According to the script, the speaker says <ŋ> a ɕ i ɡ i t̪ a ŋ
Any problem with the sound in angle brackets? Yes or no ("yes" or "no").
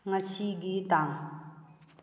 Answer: no